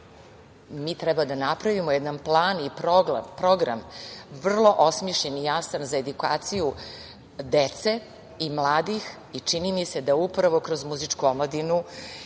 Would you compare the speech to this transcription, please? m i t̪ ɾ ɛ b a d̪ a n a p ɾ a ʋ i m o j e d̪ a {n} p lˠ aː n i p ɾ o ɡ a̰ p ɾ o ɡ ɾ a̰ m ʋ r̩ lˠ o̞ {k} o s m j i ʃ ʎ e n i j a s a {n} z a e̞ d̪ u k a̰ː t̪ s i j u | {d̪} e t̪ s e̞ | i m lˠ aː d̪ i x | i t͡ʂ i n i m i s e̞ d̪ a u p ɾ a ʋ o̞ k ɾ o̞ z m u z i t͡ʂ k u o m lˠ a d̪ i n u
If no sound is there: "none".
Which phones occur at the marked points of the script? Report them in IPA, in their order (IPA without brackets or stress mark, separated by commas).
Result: n, ʔ, n, d̪